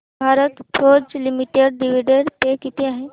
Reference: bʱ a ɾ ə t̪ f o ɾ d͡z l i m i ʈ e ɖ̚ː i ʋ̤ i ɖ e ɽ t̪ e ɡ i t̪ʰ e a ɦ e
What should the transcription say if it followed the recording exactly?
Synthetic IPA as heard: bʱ a ɾ ə t̪ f o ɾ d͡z l i m i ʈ e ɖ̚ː i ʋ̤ i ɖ e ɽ t̪ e k i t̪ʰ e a ɦ e

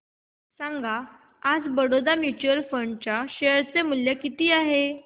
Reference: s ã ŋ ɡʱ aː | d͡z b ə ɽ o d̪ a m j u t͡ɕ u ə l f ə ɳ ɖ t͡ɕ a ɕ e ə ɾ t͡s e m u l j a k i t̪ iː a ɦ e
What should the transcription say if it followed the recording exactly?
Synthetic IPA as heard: s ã ŋ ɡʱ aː | d͡z b ə ɽ o d̪ a m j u t͡ɕ u ə l f ə ɳ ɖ t͡ɕ a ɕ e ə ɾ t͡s e m u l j a k i t̪ iː a ɦ e

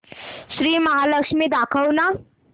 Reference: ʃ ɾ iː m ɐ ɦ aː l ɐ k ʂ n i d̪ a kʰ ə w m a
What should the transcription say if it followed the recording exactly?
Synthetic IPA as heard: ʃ ɾ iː m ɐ ɦ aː l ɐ k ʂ m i d̪ a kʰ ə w n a

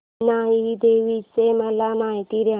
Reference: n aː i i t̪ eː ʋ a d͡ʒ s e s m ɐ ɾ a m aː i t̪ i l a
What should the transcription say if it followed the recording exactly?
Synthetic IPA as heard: n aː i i d̪ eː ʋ i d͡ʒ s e m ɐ l a m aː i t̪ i ɾ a

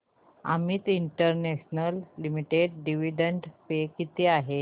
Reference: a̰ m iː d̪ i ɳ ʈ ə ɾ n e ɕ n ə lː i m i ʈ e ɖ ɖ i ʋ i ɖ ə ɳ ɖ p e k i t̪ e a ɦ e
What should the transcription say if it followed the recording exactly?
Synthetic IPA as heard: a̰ m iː t̪ i ɳ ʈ ə ɾ n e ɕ n ə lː i m i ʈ e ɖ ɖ i ʋ i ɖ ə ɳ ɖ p e k i t̪ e a ɦ e

